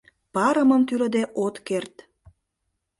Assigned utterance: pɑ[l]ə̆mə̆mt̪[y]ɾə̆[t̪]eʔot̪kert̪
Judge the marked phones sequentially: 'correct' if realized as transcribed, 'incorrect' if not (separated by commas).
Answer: incorrect, correct, incorrect